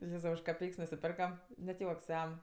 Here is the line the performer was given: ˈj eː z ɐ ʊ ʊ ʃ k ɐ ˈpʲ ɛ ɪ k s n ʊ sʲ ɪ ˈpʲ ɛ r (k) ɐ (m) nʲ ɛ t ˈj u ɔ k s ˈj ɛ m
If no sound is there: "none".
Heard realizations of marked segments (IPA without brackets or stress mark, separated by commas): k, m